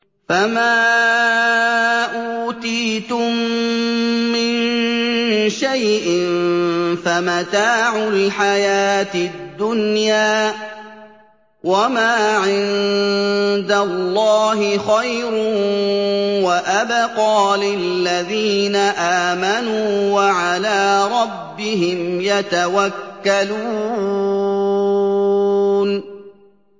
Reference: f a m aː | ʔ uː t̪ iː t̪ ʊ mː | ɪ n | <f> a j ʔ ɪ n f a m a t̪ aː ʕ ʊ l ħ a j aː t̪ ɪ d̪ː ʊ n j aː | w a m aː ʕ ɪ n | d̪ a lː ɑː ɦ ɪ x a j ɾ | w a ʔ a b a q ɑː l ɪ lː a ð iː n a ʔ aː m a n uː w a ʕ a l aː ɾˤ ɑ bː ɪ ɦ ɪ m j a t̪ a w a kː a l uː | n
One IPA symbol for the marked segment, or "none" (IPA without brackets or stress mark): ʃ